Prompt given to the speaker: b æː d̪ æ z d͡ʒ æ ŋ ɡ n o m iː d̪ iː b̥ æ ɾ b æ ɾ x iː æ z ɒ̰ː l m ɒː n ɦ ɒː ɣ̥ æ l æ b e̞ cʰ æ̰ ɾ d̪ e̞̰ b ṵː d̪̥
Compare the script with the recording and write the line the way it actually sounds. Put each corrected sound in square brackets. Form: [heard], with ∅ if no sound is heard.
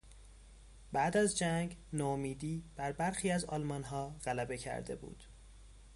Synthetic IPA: b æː d̪ æ z d͡ʒ æ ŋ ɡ n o m iː d̪ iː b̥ æ ɾ b æ ɾ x iː æ z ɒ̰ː l m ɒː n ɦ ɒː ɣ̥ æ l æ b e̞ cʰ æ̰ ɾ d̪ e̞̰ b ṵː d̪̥